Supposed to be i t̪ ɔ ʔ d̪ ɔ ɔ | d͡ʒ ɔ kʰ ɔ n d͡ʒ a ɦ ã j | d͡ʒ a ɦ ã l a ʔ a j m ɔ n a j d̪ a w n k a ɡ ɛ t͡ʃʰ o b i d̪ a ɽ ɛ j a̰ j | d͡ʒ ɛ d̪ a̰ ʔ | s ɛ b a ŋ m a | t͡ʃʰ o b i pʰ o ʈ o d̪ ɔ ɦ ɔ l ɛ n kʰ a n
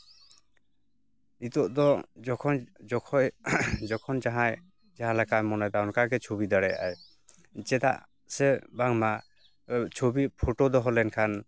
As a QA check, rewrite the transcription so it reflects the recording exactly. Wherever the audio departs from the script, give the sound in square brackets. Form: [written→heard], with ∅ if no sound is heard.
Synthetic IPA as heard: i t̪ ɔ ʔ d̪ ɔ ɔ | d͡ʒ ɔ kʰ ɔ n d͡ʒ a ɦ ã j | d͡ʒ a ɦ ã l a [ʔ→k] a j m ɔ n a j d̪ a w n k a ɡ ɛ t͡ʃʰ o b i d̪ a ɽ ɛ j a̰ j | d͡ʒ ɛ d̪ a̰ ʔ | s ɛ b a ŋ m a | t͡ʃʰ o b i pʰ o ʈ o d̪ ɔ ɦ ɔ l ɛ n kʰ a n